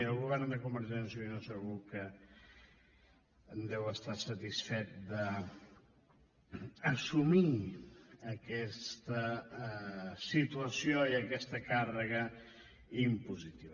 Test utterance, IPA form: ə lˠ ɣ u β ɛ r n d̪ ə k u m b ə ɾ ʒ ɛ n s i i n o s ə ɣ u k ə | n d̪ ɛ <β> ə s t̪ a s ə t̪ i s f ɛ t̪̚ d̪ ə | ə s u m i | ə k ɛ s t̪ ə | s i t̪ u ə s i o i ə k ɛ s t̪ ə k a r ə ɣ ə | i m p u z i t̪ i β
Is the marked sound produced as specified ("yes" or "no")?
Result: no